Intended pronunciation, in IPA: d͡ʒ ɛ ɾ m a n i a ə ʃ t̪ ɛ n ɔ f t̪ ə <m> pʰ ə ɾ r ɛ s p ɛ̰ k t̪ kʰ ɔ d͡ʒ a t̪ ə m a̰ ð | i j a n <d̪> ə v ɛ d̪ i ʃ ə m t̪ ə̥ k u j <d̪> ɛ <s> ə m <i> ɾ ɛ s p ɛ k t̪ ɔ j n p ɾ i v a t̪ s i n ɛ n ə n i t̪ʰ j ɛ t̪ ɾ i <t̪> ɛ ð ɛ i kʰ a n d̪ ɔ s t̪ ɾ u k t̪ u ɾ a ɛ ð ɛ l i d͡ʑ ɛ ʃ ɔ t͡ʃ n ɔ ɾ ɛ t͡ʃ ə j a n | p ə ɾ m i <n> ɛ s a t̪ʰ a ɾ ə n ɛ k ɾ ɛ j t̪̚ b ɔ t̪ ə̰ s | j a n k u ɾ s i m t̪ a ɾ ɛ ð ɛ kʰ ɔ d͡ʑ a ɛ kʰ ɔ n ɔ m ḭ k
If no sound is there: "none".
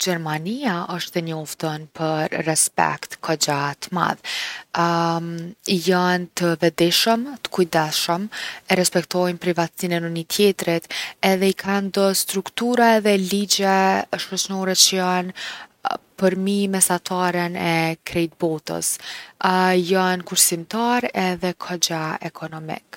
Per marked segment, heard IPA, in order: n, t̪, d̪, ʃ, ɛ, t̪, m

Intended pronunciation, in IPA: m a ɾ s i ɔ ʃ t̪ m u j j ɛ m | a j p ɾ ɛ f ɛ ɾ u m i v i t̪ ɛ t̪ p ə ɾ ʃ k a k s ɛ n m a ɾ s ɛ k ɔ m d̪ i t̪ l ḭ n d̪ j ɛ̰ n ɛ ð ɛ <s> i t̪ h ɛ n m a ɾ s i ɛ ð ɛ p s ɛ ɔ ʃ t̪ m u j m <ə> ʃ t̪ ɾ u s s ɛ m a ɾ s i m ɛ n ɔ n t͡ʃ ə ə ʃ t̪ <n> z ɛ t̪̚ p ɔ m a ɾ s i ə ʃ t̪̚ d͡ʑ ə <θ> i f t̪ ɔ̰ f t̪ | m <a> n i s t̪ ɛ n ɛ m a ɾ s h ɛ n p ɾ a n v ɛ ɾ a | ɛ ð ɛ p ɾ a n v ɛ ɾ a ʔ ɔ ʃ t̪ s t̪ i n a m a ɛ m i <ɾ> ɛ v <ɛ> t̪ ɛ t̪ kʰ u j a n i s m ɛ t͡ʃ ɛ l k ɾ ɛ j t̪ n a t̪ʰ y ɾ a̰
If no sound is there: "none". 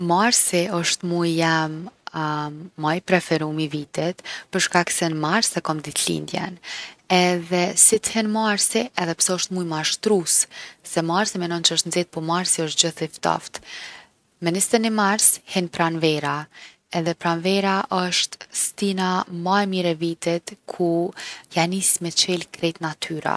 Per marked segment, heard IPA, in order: s, a, n, θ, ɛ, ɾ, i

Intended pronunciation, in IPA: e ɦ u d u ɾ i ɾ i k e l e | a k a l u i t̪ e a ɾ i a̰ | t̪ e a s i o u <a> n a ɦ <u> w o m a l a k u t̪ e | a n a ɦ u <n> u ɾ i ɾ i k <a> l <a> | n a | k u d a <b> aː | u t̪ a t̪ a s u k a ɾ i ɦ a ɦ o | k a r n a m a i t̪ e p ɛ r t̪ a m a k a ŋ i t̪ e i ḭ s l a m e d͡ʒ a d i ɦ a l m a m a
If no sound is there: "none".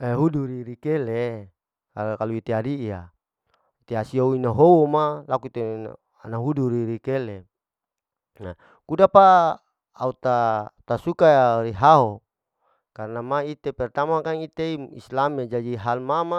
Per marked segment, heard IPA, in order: i, o, d, e, e, p

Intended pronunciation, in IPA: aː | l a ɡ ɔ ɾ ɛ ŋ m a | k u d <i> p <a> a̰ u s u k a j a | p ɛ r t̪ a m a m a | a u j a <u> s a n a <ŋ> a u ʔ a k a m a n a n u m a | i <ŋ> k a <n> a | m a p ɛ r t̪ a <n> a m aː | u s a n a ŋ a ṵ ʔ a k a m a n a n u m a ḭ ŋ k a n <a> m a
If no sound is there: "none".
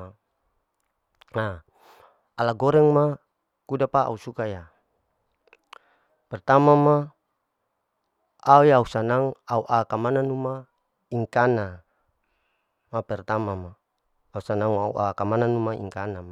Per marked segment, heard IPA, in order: a, a, u, ŋ, ŋ, n, m, a

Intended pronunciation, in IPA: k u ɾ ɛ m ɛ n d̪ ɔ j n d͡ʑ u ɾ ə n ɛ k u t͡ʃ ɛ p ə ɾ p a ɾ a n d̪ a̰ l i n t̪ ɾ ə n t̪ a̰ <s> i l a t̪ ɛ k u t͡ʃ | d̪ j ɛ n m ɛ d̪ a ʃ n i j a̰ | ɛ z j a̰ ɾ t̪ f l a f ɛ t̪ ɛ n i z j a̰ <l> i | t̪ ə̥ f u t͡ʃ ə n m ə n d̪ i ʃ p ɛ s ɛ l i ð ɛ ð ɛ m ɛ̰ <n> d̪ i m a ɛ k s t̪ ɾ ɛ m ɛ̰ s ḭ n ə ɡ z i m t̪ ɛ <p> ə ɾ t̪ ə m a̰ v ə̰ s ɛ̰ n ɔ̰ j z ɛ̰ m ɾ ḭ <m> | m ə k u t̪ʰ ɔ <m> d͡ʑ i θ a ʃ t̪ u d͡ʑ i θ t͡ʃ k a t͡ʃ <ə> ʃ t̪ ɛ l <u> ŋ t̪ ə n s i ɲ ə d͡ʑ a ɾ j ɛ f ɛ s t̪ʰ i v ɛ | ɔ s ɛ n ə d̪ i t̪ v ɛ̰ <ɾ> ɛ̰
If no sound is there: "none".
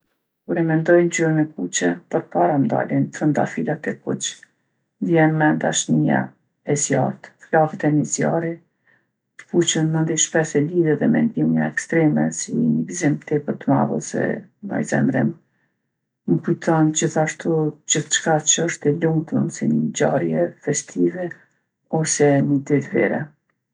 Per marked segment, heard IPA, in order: f, ɾ, n, p, m, n, ə, u, ɾ

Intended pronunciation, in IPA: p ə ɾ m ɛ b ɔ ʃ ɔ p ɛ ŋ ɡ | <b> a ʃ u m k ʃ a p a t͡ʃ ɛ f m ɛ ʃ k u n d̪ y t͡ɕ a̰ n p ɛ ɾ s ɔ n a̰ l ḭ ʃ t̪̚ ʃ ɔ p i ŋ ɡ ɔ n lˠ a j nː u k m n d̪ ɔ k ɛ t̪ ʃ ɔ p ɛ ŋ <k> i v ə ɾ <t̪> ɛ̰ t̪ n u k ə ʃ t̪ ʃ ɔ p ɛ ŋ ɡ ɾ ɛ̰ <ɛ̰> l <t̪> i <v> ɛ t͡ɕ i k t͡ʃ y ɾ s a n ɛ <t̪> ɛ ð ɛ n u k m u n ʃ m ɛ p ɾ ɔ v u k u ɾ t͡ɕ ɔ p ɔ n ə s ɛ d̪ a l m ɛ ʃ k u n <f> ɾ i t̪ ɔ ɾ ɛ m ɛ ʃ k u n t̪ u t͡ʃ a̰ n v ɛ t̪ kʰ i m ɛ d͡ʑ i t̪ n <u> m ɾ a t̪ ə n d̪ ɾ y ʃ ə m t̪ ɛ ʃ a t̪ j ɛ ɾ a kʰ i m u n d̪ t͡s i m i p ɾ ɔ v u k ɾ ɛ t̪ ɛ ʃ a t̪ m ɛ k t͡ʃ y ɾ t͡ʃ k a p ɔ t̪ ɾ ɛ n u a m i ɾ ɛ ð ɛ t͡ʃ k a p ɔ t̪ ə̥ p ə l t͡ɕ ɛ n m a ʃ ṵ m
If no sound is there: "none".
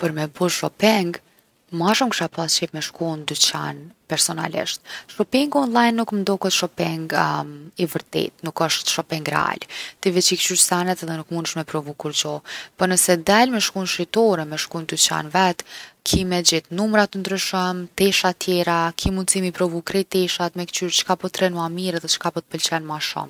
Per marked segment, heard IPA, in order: m, ɡ, t̪, a̰, t̪, v, t̪, ʃ, u

